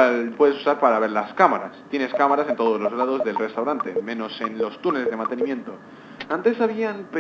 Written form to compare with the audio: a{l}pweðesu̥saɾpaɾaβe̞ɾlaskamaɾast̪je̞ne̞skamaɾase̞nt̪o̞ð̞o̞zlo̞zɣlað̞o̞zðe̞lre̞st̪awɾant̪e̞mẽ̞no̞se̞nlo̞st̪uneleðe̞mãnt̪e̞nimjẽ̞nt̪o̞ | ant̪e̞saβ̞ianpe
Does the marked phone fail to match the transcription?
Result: no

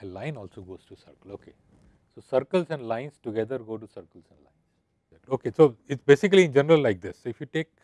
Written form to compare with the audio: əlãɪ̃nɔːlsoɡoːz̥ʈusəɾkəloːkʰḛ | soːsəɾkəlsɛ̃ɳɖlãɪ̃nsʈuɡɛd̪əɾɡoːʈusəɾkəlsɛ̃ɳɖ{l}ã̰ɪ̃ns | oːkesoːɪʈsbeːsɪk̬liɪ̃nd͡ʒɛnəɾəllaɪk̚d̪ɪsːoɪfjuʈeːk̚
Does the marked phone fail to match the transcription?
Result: no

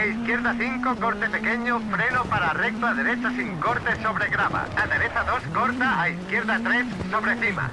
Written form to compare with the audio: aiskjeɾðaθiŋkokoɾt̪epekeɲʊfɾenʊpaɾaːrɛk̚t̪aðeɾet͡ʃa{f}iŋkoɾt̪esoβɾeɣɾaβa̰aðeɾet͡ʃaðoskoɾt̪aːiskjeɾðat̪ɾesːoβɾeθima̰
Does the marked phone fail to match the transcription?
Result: yes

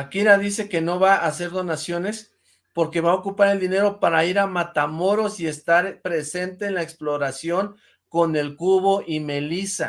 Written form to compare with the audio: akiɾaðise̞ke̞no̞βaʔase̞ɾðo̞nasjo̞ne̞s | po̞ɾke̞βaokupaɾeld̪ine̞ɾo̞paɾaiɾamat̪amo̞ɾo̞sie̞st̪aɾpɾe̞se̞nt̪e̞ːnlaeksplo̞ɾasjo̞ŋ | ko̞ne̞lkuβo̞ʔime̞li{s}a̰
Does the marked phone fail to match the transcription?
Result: no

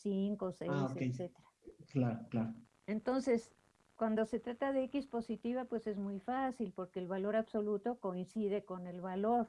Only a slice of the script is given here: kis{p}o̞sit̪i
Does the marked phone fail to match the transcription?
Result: no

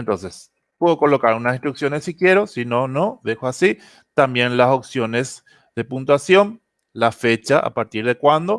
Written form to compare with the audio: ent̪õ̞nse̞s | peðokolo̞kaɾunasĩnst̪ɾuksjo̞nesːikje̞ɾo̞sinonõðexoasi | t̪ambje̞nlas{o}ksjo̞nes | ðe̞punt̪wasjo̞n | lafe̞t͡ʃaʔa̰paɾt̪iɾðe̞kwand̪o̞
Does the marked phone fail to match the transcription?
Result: no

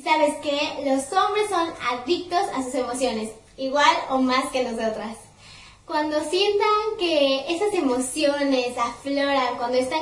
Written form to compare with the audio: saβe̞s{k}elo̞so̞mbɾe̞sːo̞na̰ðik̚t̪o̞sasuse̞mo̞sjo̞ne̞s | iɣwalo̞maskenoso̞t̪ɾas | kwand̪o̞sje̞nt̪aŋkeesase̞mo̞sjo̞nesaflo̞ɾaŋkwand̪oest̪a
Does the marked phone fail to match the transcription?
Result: no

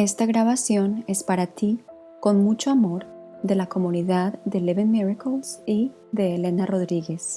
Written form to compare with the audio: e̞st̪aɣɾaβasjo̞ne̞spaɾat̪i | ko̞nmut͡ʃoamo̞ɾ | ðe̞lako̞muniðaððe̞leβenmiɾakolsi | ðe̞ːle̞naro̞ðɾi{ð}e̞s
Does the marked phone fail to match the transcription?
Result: yes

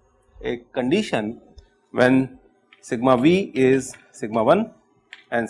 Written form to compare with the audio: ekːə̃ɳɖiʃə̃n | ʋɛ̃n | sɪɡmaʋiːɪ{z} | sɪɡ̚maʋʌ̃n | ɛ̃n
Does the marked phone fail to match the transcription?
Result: no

